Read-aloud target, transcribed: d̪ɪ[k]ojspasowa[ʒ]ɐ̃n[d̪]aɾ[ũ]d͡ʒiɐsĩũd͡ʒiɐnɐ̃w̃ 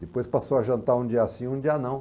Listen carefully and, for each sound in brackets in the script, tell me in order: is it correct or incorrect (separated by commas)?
incorrect, correct, incorrect, correct